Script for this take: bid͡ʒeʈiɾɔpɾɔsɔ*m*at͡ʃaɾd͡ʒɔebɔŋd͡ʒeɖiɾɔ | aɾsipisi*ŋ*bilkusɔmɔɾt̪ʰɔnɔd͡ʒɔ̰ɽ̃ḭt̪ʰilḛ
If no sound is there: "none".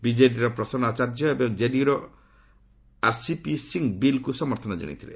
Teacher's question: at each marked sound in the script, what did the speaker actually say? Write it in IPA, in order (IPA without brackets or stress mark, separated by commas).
n, ŋ